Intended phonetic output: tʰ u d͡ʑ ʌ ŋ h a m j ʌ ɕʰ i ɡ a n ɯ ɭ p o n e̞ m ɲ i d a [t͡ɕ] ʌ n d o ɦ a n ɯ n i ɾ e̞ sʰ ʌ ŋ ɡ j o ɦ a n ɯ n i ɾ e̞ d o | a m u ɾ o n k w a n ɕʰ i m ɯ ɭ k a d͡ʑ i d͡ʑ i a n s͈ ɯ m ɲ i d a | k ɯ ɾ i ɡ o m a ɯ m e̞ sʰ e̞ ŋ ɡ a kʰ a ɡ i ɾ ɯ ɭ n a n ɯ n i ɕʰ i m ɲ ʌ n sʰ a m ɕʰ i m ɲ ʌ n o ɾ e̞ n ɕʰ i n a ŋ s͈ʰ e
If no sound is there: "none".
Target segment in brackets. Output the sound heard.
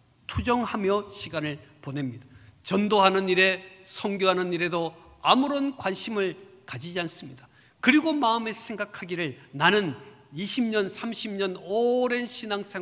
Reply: t͡ɕ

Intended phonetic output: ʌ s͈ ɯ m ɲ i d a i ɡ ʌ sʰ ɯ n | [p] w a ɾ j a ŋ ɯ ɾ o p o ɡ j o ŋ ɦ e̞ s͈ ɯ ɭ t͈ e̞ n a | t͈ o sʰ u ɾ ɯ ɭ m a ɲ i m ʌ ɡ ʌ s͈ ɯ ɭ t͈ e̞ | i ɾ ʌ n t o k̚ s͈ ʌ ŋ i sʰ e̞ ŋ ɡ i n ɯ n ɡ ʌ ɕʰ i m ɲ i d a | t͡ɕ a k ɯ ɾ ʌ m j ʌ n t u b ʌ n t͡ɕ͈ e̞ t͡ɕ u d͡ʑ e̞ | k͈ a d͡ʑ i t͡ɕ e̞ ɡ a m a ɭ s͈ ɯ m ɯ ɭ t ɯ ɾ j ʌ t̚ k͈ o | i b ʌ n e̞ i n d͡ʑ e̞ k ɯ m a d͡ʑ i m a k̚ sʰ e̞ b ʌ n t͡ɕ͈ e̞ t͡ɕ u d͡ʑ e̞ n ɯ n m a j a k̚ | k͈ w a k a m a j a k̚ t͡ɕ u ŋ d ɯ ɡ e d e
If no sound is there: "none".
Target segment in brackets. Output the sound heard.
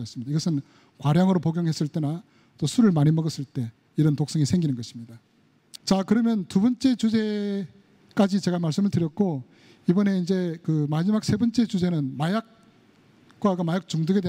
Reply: k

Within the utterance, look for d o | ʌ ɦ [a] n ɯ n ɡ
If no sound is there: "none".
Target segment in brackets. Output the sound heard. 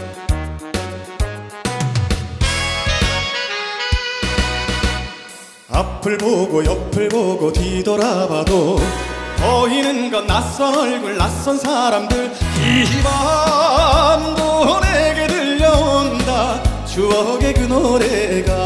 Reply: i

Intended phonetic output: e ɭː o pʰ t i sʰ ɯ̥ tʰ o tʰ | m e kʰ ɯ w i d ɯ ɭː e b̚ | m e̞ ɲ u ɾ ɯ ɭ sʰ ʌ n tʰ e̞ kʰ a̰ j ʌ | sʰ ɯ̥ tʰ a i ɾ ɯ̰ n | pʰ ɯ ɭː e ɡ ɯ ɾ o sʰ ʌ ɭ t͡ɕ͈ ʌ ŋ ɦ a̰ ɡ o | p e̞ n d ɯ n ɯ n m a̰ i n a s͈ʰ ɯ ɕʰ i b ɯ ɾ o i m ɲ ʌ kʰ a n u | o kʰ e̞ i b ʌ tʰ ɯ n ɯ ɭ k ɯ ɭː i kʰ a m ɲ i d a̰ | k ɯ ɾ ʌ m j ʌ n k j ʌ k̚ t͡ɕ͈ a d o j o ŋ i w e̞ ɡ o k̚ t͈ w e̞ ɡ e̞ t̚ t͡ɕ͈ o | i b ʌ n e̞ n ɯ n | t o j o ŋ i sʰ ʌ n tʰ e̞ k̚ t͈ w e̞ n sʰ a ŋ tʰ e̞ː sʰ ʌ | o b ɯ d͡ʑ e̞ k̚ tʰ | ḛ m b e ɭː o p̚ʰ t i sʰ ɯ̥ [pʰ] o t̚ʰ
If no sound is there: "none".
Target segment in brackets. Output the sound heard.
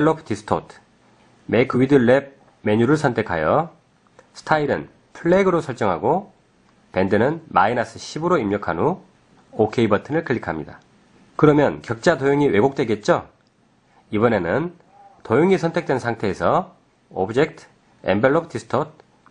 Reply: tʰ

